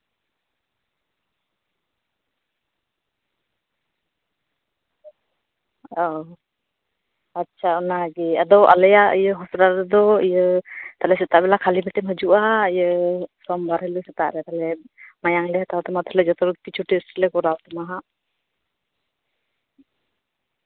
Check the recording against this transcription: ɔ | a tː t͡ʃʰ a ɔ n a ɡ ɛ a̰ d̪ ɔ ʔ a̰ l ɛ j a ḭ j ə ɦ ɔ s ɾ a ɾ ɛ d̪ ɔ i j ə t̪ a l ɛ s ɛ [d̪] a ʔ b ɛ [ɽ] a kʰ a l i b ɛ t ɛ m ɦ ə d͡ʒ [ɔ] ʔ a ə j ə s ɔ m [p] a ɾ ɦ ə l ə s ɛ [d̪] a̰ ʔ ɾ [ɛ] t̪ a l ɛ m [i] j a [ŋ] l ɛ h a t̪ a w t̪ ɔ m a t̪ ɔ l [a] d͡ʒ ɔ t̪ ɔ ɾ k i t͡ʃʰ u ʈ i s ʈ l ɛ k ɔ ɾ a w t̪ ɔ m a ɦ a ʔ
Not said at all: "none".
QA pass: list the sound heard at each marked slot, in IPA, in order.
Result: t̪, l, u, b, t̪, ɛ, a, ŋ, ɛ

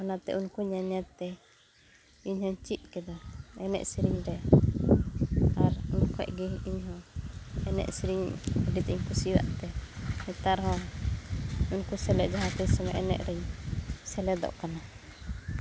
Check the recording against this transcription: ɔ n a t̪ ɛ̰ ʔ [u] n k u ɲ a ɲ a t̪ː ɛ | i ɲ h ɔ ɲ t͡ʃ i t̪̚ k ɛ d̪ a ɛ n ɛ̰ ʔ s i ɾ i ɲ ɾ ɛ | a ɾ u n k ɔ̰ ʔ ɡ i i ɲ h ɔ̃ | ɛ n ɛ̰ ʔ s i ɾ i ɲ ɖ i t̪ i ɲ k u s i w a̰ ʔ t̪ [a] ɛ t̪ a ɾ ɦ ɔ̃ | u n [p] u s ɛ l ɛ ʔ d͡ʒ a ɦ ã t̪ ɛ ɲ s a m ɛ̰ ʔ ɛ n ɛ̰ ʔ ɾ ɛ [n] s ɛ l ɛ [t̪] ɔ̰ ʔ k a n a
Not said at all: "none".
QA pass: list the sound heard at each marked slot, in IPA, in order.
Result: u, ɛ, k, ɲ, d̪

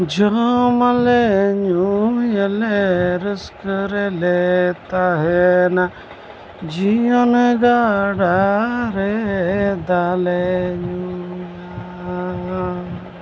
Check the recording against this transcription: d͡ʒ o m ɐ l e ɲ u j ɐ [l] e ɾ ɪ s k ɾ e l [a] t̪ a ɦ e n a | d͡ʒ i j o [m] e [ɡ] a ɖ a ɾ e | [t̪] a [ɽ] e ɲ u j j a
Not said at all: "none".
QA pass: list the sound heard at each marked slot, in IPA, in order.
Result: l, e, n, ɡ, d̪, l

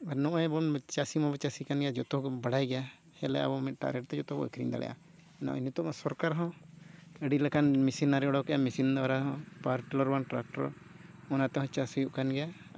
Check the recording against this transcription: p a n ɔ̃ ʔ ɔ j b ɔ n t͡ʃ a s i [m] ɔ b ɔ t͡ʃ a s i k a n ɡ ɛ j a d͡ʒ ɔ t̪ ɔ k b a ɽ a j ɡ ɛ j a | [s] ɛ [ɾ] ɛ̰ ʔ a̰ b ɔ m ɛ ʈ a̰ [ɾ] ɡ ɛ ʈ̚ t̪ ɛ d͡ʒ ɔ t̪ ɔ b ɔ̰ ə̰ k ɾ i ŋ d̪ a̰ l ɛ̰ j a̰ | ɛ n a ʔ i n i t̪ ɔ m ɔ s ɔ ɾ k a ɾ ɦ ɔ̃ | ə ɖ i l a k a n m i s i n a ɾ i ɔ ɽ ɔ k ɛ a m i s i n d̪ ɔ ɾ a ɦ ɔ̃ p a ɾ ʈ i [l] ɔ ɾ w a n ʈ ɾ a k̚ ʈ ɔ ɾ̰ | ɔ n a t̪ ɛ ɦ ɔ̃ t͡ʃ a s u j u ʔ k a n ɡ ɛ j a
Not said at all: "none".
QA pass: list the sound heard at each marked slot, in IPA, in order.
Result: m, h, l, ɾ, l

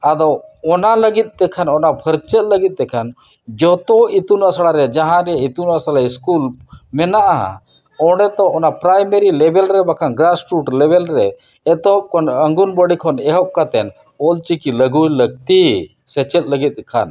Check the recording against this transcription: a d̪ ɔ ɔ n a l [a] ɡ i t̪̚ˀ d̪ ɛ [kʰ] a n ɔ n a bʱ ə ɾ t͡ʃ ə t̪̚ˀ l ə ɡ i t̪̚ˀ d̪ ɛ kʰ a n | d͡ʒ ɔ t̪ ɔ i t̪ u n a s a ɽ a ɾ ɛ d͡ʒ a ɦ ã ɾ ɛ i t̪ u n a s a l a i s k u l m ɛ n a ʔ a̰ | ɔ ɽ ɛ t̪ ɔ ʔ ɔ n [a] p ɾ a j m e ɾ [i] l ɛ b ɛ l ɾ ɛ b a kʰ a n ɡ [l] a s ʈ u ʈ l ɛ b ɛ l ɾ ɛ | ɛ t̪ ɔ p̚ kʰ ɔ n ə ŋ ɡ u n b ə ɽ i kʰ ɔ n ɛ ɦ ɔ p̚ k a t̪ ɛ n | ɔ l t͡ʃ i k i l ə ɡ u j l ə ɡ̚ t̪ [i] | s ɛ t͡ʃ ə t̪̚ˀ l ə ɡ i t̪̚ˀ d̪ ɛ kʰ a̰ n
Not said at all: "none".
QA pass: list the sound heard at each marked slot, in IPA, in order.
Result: ə, kʰ, a, i, ɾ, i

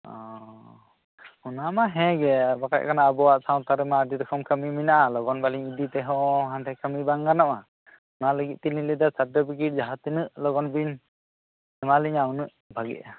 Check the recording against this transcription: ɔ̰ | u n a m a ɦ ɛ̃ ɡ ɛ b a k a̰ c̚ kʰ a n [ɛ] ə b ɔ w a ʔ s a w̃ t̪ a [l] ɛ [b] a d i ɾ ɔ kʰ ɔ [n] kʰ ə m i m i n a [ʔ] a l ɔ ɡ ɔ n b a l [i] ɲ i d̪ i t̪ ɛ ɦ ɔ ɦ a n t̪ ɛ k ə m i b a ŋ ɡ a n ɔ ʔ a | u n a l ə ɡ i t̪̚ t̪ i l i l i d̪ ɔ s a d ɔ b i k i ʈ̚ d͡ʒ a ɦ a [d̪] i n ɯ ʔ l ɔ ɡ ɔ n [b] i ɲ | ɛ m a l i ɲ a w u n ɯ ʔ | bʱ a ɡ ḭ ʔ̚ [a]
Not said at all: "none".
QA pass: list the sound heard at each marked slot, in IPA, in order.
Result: a, ɾ, m, m, ʔ, i, t̪, b, a

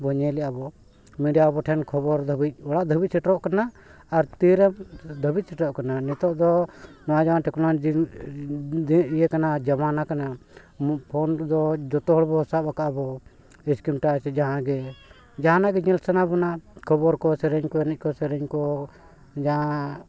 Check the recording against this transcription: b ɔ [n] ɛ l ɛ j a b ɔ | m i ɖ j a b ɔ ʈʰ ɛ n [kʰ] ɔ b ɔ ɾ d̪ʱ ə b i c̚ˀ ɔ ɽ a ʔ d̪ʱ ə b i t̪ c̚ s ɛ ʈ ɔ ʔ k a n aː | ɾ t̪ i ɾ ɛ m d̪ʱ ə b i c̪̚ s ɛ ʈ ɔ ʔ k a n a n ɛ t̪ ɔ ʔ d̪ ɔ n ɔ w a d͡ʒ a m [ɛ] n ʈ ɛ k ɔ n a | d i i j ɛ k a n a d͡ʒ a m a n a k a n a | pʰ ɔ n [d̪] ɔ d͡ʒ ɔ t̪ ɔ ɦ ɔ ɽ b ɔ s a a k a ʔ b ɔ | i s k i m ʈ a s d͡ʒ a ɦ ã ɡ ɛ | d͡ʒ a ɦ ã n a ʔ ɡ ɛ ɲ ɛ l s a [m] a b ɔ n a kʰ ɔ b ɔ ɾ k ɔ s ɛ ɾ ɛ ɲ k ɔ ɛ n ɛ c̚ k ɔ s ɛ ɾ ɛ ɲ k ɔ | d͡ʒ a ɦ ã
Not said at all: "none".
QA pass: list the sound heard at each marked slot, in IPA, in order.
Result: ɲ, kʰ, a, d̪, n

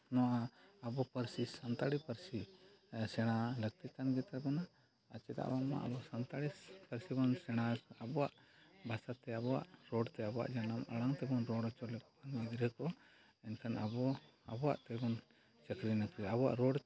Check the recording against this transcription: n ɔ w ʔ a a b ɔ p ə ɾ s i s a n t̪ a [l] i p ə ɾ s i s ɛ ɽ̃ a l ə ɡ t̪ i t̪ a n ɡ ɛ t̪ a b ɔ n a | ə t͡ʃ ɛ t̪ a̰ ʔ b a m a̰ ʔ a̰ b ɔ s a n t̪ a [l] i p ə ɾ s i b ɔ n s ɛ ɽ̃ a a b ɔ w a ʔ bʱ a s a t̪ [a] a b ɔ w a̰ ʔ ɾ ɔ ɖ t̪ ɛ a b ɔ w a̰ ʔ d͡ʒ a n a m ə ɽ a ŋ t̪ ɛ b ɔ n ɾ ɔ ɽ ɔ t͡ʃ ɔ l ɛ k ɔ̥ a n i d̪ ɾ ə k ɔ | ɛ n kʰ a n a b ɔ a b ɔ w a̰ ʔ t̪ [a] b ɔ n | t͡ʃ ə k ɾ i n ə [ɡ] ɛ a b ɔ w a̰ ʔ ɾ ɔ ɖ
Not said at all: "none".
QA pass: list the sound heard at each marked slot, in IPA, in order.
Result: ɽ, ɽ, ɛ, ɛ, k

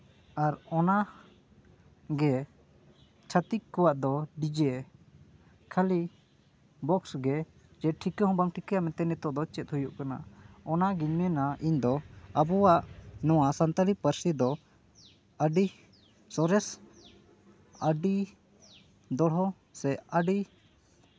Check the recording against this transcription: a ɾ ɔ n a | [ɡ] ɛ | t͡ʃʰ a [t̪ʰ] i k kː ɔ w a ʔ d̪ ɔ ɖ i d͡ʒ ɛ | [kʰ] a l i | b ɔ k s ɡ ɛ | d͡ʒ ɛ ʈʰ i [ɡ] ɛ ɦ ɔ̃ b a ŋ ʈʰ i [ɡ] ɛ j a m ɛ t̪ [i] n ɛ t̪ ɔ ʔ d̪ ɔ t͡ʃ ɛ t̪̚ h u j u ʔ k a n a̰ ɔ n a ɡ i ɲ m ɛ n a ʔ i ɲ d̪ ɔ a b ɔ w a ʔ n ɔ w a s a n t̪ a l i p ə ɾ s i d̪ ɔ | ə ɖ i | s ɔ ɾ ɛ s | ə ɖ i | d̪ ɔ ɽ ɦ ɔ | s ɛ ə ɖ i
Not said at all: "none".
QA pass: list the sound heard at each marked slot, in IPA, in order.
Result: ɡ, t̪, kʰ, k, k, ɛ

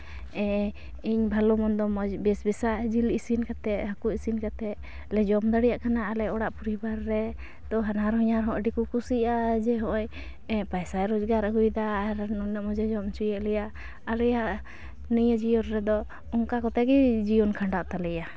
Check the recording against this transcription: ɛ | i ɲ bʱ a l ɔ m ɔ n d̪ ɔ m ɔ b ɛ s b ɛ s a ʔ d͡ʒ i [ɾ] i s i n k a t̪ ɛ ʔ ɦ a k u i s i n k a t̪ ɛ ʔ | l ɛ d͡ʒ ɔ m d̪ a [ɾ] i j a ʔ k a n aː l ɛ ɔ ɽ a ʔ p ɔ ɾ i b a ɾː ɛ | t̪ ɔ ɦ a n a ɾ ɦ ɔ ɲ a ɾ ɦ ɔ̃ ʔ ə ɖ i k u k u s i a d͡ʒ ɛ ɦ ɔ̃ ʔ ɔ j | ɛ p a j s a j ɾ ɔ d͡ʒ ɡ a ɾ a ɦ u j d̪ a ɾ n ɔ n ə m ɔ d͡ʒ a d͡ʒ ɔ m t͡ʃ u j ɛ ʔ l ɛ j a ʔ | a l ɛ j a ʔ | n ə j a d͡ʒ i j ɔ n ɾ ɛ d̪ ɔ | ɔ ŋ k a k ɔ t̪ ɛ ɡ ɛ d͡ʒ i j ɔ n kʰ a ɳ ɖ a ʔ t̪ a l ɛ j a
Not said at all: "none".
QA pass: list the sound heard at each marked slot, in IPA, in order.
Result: l, ɽ

